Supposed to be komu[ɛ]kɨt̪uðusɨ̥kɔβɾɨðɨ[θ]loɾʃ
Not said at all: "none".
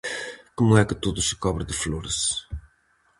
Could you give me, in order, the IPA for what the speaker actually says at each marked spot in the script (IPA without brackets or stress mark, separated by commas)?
ɛ, f